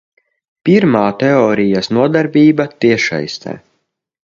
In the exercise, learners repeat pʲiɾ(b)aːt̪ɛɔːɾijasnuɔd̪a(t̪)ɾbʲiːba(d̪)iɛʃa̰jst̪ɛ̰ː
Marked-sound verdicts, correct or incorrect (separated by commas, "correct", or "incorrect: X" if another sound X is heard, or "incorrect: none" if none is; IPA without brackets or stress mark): incorrect: m, incorrect: none, incorrect: t̪